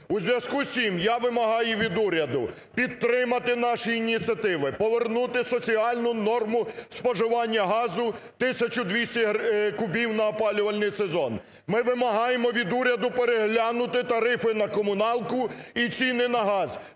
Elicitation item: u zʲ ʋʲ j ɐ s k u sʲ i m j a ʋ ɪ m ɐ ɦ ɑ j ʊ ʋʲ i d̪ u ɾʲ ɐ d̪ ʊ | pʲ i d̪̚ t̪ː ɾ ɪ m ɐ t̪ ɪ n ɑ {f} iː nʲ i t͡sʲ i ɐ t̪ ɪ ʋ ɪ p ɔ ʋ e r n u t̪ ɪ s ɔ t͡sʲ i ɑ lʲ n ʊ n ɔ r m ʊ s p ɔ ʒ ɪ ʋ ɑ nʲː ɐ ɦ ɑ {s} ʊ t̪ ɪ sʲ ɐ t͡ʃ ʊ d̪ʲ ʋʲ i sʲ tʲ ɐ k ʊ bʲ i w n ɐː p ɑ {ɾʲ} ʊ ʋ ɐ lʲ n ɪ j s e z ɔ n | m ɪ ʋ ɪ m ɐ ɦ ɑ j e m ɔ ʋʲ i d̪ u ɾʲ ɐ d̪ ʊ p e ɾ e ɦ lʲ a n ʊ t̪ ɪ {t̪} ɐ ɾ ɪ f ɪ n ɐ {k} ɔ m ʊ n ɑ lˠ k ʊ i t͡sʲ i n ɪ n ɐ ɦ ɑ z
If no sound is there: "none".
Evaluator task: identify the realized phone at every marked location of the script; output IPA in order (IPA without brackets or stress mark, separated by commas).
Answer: ʃ, z, lʲ, t̪, k